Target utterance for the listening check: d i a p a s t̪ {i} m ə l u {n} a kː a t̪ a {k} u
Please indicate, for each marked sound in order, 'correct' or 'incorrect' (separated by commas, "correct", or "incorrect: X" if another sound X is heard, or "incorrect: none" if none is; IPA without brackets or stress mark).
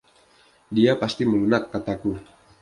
correct, correct, correct